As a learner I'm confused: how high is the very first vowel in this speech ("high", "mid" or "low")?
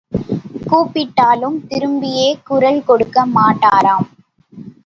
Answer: high